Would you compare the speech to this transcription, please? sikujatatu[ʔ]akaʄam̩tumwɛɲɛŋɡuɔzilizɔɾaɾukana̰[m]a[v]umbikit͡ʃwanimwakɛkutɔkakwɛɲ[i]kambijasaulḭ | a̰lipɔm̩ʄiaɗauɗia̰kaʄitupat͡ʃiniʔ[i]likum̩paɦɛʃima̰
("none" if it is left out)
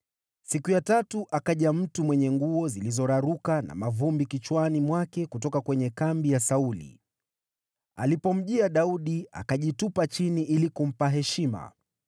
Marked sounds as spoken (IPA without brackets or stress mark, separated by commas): ʔ, m, v, ɛ, i